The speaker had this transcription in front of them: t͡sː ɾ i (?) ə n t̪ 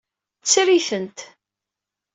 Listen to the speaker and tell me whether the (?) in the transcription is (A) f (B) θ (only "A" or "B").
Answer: B